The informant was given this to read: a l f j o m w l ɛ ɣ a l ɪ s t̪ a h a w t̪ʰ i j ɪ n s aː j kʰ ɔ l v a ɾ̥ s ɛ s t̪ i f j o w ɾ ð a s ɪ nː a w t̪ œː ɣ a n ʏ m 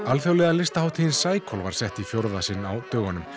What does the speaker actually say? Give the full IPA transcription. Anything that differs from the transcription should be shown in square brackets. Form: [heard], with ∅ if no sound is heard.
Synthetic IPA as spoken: a l f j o [∅] w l ɛ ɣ a l ɪ s t̪ a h a w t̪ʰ i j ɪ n s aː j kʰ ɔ l v a ɾ̥ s ɛ [h] t̪ i f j o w ɾ ð a s ɪ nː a w t̪ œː ɣ a n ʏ m